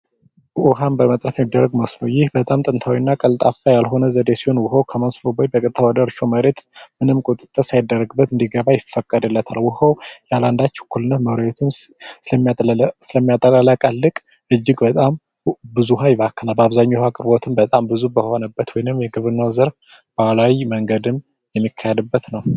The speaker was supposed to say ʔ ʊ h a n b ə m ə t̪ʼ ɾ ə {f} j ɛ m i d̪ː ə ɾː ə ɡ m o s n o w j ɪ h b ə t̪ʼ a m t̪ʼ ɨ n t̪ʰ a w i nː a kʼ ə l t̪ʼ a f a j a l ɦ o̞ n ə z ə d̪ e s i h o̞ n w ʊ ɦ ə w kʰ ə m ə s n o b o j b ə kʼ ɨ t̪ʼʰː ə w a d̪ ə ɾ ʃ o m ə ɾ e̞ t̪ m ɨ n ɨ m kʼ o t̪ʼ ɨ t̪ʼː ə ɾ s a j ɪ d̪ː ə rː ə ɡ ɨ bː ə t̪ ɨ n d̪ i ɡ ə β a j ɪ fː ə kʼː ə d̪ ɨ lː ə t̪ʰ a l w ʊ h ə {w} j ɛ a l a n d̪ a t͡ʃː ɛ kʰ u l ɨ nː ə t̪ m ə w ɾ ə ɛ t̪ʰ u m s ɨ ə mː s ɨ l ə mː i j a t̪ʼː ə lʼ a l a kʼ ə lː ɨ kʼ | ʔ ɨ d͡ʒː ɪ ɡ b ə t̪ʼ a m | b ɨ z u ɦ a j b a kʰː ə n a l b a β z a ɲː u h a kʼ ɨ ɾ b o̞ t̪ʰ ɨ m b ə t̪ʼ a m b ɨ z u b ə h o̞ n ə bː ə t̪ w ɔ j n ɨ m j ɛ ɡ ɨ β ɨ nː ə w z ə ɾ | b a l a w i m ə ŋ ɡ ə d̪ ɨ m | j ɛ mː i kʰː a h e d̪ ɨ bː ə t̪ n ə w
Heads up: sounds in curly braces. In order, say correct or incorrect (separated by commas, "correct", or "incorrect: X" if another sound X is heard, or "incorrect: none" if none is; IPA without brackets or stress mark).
correct, correct